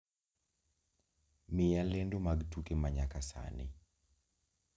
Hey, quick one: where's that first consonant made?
lips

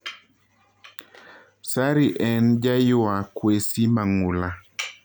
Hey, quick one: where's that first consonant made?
tongue tip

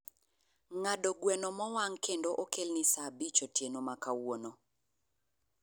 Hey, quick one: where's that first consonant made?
velum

